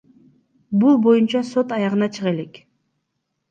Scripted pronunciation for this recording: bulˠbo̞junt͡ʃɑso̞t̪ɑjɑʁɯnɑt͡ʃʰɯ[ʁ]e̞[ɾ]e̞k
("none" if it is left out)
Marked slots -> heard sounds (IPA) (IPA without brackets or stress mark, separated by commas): ʁ, l